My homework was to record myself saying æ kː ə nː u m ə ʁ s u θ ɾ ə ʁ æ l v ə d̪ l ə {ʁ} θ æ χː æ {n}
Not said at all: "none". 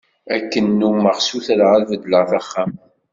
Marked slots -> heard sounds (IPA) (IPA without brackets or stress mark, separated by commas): ʁ, m